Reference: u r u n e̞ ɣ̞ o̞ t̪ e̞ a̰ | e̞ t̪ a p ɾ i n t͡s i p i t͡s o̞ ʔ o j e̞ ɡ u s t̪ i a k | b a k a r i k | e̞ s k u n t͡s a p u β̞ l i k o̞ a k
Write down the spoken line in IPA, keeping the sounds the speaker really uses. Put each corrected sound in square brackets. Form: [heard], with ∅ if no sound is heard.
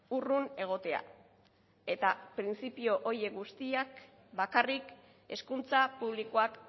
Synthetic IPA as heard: u r u n e̞ ɣ̞ o̞ t̪ e̞ a̰ | e̞ t̪ a p ɾ i n t͡s i p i [∅] o̞ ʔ o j e̞ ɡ u s t̪ i a k | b a k a r i k | e̞ s k u n t͡s a p u β̞ l i k o̞ a k